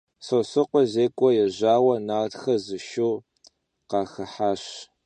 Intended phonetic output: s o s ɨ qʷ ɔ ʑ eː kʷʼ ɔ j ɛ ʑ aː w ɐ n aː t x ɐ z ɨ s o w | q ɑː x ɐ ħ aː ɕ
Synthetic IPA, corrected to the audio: s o s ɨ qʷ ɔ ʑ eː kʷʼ ɔ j ɛ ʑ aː w ɐ n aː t x ɐ z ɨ ʃ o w | q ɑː x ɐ ħ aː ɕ